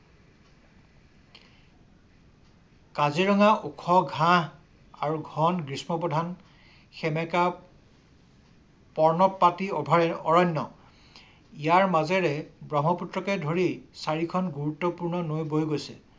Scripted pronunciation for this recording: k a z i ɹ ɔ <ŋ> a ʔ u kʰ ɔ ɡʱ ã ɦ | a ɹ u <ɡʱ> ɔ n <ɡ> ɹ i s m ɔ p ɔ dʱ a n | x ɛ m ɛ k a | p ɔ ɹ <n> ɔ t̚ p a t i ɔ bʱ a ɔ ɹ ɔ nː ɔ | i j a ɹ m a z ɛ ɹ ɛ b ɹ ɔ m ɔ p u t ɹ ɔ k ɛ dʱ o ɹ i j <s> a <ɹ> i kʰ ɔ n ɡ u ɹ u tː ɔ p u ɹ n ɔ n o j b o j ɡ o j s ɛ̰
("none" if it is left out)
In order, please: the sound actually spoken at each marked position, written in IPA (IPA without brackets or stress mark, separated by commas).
ŋ, ɡʱ, ɡ, n, s, ɹ